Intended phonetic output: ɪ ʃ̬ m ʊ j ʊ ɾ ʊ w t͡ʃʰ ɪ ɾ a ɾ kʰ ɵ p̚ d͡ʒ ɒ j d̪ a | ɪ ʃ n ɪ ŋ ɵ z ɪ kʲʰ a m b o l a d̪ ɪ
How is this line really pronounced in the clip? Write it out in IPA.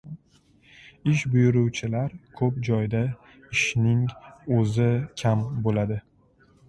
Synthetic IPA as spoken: ɪ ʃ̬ b ʊ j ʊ ɾ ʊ w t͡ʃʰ ɪ l a ɾ kʰ ɵ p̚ d͡ʒ ɒ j d̪ a | ɪ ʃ n ɪ ŋ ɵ z ɪ kʲʰ a m b o l a d̪ ɪ